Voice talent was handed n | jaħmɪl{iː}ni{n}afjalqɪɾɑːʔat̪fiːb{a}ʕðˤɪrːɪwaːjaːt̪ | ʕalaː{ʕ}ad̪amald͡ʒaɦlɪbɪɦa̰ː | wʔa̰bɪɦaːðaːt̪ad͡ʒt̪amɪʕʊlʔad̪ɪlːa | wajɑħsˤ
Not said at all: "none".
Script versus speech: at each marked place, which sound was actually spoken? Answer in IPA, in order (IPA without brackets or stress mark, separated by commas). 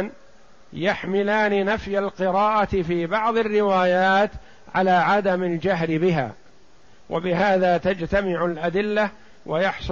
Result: aː, n, ɑ, ʕ